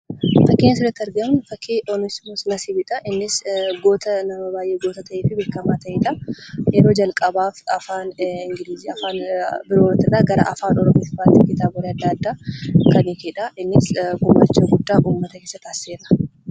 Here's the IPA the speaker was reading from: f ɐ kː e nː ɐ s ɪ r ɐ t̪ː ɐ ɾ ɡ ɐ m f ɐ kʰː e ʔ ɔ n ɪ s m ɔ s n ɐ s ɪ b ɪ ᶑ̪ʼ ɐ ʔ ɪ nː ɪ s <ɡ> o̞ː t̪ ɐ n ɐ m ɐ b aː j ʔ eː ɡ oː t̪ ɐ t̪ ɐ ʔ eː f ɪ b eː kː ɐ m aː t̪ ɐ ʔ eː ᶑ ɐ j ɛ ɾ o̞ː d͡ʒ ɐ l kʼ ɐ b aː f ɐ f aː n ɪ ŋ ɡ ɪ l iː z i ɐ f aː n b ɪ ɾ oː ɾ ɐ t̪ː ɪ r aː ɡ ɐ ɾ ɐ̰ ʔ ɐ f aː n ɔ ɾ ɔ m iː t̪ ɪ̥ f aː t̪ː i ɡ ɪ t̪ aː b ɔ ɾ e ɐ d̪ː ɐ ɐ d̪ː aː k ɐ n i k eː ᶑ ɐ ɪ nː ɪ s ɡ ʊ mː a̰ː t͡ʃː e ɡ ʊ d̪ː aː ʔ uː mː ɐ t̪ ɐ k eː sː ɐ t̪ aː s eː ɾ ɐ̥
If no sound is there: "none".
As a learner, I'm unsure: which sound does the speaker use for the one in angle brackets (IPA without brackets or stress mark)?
ɡ